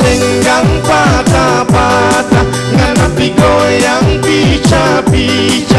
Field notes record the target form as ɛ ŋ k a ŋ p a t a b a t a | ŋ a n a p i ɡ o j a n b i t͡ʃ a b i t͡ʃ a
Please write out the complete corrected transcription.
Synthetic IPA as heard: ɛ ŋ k a ŋ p a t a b a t a | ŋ a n a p i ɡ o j a ŋ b i t͡ʃ a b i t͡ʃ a